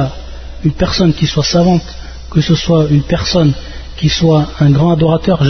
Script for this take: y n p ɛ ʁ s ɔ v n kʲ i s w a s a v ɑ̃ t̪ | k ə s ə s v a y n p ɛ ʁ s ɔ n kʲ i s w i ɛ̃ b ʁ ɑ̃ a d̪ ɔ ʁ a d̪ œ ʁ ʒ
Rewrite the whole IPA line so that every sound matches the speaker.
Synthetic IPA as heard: y n p ɛ ʁ s ɔ n kʲ i s w a s a v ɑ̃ t̪ | k ə s ə s w a y n p ɛ ʁ s ɔ n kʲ i s w a ɛ̃ ɡ ʁ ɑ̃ a d̪ ɔ ʁ a t̪ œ ʁ ʒ